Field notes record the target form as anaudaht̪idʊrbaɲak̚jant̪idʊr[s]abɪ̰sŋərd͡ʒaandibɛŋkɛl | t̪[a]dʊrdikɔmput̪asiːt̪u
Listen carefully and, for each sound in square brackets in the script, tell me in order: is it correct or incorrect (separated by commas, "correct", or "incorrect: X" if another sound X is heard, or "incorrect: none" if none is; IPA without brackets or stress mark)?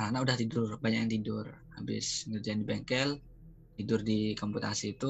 incorrect: h, incorrect: i